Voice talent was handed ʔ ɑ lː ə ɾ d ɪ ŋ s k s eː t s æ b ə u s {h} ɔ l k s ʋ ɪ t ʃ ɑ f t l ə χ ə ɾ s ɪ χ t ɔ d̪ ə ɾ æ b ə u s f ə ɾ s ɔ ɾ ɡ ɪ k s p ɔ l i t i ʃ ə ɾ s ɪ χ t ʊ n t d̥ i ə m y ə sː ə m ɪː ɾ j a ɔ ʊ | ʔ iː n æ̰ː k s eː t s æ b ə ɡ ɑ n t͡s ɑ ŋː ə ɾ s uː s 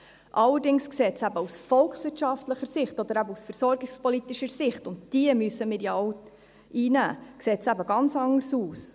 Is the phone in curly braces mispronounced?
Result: yes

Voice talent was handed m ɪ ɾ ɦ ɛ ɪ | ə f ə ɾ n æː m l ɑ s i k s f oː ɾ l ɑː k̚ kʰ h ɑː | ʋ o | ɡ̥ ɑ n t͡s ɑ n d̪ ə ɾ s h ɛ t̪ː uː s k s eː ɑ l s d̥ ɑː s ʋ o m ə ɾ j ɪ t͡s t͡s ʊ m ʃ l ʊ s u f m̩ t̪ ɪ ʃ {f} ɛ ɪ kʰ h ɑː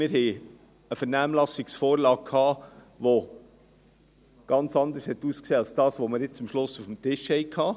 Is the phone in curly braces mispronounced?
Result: yes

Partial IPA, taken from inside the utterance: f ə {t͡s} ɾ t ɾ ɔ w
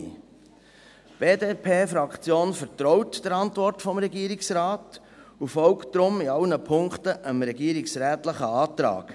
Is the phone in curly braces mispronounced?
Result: yes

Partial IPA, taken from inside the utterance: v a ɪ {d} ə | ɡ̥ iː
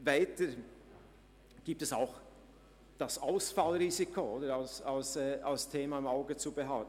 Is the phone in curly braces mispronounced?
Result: yes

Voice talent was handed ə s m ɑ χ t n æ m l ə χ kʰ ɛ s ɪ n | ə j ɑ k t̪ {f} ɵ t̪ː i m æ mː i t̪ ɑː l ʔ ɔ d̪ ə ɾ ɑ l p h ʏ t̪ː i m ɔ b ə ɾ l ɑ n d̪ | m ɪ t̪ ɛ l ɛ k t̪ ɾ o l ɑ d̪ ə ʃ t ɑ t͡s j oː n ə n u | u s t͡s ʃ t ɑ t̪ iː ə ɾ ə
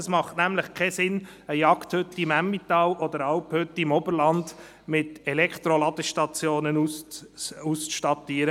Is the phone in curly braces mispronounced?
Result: yes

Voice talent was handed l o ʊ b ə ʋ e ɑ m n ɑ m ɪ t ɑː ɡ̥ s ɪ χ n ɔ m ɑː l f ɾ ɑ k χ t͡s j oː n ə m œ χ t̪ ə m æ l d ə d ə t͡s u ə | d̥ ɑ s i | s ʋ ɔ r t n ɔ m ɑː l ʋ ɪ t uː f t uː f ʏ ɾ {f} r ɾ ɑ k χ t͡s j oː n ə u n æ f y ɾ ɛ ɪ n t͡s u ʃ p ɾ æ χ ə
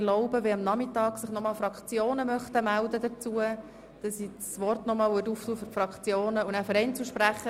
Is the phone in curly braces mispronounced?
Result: no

